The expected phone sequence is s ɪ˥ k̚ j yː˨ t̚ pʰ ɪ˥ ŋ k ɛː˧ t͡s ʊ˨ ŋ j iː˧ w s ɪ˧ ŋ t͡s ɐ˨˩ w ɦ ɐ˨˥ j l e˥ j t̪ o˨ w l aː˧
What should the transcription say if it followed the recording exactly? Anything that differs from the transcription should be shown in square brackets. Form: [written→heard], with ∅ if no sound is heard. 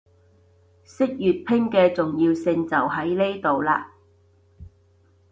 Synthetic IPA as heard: s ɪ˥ k̚ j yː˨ t̚ pʰ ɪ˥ ŋ k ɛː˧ t͡s ʊ˨ ŋ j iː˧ w s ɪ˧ ŋ t͡s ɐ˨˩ w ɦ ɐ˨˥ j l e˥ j t̪ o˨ w l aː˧